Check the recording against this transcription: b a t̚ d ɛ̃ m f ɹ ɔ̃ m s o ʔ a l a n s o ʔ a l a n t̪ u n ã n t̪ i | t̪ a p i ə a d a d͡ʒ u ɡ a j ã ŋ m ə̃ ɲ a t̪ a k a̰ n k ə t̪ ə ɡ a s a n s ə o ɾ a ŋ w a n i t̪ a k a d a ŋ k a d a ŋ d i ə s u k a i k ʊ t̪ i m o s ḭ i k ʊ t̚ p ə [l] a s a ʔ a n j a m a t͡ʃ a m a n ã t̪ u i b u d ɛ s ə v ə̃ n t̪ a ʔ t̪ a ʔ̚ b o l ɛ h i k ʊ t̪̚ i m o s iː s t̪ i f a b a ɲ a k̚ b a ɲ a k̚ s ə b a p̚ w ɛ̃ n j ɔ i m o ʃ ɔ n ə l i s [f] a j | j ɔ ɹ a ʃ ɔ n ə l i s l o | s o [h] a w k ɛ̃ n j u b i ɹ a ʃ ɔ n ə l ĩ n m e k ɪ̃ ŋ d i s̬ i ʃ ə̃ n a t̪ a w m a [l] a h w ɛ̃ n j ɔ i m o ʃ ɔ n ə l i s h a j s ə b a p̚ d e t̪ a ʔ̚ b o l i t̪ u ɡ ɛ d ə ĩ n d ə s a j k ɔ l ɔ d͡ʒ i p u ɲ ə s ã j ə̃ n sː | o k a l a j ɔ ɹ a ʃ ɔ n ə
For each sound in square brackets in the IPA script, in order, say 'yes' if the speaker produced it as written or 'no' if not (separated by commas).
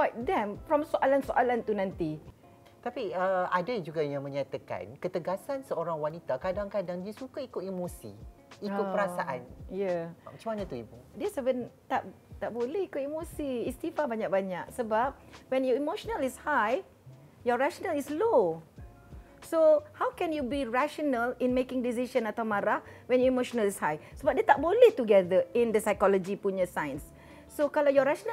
no, no, yes, no